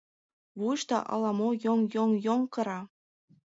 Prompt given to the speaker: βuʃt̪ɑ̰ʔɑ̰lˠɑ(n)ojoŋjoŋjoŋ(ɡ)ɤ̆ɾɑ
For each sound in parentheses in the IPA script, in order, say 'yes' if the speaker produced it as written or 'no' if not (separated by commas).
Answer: no, no